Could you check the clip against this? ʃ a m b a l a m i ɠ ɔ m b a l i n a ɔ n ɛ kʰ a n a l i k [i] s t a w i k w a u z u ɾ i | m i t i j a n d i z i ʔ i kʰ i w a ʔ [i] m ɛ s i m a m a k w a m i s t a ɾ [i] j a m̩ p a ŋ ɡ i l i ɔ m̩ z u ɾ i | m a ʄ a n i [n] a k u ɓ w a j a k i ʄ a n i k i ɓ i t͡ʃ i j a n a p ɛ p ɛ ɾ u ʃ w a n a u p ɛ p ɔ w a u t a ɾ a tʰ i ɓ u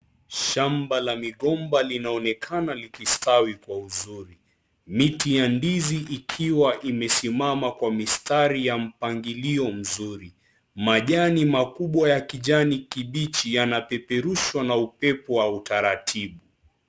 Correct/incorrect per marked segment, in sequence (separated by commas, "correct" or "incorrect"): correct, correct, correct, incorrect